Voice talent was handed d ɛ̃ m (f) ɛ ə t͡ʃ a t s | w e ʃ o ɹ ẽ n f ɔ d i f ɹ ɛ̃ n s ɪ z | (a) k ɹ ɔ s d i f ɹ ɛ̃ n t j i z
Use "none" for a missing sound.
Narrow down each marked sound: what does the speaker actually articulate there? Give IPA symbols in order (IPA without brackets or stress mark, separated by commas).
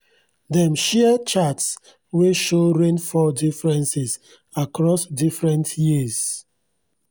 ʃ, a